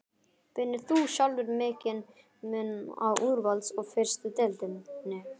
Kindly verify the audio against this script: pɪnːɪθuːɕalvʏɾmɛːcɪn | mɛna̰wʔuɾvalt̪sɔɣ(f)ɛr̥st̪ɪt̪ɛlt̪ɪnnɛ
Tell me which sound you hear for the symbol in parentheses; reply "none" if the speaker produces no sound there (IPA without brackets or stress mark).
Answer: f